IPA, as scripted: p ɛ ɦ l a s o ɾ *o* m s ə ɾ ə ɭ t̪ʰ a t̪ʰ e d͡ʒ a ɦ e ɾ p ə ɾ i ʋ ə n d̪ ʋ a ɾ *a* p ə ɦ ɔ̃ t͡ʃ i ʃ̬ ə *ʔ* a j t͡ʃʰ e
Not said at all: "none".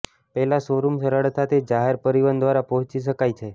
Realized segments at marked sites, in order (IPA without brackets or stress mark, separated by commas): u, a, k